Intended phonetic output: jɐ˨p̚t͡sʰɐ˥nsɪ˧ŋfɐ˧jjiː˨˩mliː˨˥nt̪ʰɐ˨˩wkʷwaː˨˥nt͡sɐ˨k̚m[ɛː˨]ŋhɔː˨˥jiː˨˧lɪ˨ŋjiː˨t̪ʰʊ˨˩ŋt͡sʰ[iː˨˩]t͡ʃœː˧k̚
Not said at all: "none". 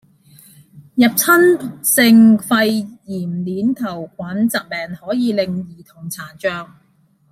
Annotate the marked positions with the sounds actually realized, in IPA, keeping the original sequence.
ɛː˨, aː˨˩

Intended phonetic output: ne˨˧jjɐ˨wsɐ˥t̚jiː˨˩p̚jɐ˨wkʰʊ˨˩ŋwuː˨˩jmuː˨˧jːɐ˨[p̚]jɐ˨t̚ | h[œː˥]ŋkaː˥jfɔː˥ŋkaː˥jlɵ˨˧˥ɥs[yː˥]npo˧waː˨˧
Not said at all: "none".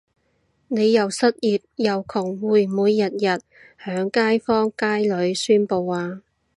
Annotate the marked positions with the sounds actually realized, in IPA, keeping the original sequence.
t̚, œː˨˥, yː˥

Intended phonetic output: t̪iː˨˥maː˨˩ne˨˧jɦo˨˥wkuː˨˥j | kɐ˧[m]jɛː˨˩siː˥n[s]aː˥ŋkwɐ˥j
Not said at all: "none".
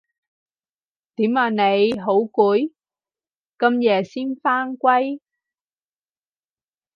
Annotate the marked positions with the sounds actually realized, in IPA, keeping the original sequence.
m, f

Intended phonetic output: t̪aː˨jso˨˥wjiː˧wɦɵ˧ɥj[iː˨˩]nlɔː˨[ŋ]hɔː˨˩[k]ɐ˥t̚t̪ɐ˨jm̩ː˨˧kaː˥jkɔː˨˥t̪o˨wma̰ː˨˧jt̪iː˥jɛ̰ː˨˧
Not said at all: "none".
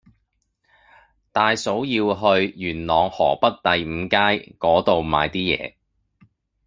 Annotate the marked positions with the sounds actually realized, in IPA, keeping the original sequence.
yː˨˩, ŋ, p

